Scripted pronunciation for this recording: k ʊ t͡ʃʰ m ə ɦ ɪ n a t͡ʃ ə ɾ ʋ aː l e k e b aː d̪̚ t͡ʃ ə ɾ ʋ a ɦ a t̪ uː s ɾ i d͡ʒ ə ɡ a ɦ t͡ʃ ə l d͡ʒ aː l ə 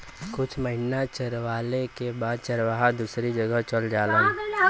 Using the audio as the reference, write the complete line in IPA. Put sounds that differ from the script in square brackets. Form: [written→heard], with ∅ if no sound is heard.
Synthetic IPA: k ʊ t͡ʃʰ m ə ɦ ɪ n a t͡ʃ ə ɾ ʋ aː l e k e b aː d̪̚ t͡ʃ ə ɾ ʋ a ɦ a [t̪→d̪] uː s ɾ i d͡ʒ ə ɡ [a→ə] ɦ t͡ʃ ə l d͡ʒ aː l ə